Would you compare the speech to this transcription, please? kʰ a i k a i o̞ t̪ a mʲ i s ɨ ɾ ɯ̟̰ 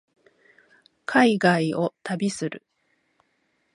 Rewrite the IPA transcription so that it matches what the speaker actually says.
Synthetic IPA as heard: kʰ a i ɡ a i o̞ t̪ a bʲ i s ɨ ɾ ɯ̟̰